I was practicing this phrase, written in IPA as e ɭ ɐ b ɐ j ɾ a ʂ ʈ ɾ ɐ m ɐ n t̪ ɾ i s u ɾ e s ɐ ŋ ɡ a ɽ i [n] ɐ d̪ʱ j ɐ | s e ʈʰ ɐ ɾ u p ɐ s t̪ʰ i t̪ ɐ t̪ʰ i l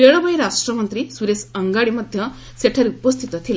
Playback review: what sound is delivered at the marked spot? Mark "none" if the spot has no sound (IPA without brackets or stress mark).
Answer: m